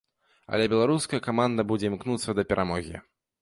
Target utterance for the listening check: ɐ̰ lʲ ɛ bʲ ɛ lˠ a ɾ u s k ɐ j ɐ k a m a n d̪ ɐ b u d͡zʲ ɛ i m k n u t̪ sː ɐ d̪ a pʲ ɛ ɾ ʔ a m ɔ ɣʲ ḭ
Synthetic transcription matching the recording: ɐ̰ lʲ ɛ bʲ ɛ lˠ a ɾ u s k ɐ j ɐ k a m a n d̪ ɐ b u d͡zʲ ɛ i m k n u t̪ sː ɐ d̪ ɐ pʲ ɛ ɾ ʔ a m ɔ ɣʲ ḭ

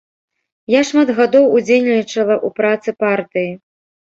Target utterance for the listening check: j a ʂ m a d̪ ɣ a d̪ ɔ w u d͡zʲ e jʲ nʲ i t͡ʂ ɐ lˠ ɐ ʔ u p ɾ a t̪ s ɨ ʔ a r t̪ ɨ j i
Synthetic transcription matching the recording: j a ʂ m a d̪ ɣ a d̪ ɔ w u d͡zʲ e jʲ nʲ i t͡ʂ ɐ lˠ ɐ ʔ u p ɾ a t̪ s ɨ p a r t̪ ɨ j i

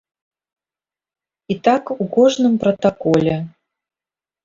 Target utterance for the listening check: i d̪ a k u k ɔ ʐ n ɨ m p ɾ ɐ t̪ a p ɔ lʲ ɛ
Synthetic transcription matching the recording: i t̪ a k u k ɔ ʐ n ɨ m p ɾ ɐ t̪ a k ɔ lʲ ɛ

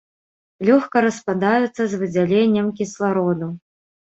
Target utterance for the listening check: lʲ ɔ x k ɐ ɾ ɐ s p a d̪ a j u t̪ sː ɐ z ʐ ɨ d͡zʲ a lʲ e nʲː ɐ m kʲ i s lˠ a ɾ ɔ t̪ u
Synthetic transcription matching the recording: lʲ ɔ x k ɐ ɾ ɐ s p a d̪ a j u t̪ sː ɐ z v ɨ d͡zʲ a lʲ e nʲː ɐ m kʲ i s lˠ a ɾ ɔ d̪ u

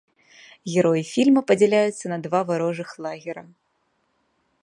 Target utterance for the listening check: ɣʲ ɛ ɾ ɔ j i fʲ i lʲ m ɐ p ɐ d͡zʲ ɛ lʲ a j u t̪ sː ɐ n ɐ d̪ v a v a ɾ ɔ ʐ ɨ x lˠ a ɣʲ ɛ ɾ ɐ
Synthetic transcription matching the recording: ɣʲ ɛ ɾ ɔ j i fʲ i lʲ m ɐ p ɐ d͡zʲ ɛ lʲ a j u t̪ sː ɐ n ɐ d̪ v a v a ɾ ɔ ʐ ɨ x lˠ a ɣʲ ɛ ɾ ɐ

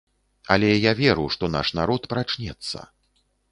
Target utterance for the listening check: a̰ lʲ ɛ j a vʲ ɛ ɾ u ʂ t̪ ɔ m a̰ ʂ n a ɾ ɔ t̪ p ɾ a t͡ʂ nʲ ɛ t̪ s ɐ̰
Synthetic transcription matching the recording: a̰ lʲ ɛ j a vʲ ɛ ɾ u ʂ t̪ ɔ n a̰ ʂ n a ɾ ɔ t̪ p ɾ a t͡ʂ nʲ ɛ t̪ sː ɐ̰

